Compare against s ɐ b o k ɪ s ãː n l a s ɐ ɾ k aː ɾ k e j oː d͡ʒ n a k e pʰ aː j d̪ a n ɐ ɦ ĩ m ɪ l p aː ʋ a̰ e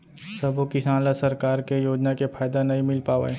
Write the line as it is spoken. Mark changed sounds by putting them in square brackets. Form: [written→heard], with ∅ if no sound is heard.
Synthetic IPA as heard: s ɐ b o k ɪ s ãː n l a s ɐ ɾ k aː ɾ k e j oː d͡ʒ n a k e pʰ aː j d̪ a n ɐ ɦ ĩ m ɪ l p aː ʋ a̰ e